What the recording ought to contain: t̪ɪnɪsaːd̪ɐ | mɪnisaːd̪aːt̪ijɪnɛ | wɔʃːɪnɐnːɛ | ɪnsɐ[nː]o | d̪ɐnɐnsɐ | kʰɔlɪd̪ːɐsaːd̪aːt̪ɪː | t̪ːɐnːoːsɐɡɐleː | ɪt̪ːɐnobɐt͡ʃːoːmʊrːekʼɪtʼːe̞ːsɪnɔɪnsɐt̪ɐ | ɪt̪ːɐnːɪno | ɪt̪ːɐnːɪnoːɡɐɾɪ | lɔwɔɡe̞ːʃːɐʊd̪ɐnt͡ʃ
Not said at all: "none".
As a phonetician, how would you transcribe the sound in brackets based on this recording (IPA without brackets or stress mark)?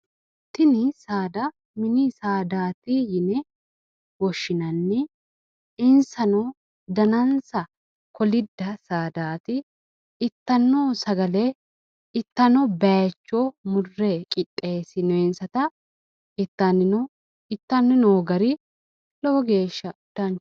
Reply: n